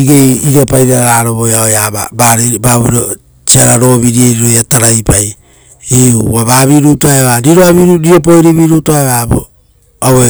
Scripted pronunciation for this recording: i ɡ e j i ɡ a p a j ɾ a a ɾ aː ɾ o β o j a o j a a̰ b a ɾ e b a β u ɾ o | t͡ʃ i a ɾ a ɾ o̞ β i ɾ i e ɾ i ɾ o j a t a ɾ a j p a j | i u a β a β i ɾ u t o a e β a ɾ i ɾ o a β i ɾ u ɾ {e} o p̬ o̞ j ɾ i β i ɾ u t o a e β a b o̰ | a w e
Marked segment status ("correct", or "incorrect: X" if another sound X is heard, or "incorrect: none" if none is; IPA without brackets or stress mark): incorrect: i